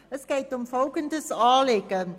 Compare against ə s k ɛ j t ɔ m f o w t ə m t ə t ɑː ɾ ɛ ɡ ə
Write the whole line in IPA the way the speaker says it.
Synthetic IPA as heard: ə s k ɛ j t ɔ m f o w k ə n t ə s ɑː l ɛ k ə